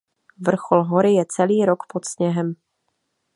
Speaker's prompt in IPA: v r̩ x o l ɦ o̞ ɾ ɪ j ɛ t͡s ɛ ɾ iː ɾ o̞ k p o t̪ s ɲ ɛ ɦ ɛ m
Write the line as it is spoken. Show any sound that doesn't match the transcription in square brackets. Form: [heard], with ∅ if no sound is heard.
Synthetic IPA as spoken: v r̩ x o l ɦ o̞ ɾ ɪ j ɛ t͡s ɛ [l] iː ɾ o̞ k p o t̪ s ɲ ɛ ɦ ɛ m

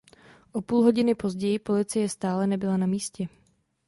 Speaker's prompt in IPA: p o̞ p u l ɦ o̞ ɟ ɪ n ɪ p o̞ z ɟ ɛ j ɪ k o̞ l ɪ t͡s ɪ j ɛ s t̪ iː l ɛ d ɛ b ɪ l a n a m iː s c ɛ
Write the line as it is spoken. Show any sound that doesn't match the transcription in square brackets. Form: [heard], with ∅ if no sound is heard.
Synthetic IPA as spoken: [ʔ] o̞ p [uː] l ɦ o̞ ɟ ɪ n ɪ p o̞ z ɟ ɛ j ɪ [p] o̞ l ɪ t͡s ɪ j ɛ s t̪ [aː] l ɛ [n] ɛ b ɪ l a n a m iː s c ɛ

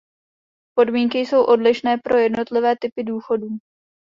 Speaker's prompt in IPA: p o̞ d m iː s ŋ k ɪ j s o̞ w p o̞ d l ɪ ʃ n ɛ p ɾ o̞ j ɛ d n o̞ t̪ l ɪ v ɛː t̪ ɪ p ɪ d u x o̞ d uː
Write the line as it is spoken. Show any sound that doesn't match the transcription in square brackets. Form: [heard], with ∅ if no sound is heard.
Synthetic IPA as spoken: p o̞ d m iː [∅] ŋ k ɪ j s o̞ w [ʔ] o̞ d l ɪ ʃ n [ɛː] p ɾ o̞ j ɛ d n o̞ t̪ l ɪ v ɛː t̪ ɪ p ɪ d [uː] x o̞ d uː

